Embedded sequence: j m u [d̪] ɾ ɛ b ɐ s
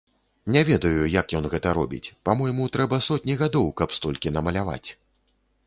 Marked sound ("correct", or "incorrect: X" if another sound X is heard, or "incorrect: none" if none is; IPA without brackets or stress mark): incorrect: t̪